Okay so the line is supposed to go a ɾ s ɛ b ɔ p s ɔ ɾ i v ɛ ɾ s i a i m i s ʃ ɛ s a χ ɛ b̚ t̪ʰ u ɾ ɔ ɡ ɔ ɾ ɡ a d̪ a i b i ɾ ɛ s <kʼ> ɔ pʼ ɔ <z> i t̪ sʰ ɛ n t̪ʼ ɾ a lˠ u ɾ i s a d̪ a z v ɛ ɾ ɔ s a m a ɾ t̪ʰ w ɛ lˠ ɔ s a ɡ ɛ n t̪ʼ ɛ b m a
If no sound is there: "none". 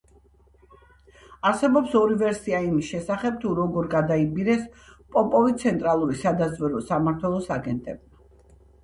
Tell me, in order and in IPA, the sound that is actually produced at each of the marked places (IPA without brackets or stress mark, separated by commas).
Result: pʼ, v